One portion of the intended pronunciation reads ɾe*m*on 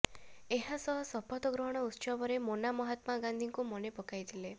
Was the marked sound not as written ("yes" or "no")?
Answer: no